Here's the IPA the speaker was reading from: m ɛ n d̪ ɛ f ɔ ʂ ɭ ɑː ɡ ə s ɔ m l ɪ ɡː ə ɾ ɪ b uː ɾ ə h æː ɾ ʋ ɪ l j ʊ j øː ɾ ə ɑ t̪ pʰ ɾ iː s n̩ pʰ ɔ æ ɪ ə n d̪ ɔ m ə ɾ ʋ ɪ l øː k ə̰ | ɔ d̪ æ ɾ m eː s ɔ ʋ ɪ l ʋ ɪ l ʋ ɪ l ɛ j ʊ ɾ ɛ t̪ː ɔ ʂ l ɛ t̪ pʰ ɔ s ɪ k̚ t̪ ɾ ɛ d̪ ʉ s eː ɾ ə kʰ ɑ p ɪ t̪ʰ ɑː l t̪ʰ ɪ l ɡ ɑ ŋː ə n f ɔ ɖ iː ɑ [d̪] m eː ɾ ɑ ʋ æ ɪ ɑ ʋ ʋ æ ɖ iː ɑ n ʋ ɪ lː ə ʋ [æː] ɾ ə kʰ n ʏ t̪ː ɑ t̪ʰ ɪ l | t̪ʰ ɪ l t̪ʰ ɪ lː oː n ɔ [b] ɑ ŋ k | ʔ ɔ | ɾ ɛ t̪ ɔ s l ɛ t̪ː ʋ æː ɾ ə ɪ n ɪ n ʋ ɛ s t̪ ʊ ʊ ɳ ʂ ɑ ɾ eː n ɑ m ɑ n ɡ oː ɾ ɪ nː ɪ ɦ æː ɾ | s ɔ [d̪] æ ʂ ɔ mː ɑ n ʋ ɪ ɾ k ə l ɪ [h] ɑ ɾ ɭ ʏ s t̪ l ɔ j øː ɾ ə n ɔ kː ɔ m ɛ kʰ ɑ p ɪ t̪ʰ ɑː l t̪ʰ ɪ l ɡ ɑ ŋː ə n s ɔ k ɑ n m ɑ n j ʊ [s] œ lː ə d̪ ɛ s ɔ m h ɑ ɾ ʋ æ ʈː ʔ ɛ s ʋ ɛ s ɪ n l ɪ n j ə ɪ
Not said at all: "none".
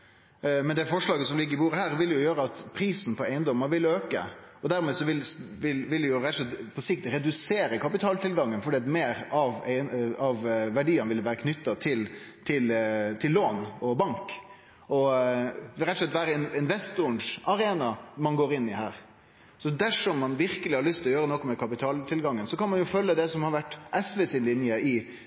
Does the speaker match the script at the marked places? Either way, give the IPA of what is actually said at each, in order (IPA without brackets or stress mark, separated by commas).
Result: t̪, æː, b, d̪, h, f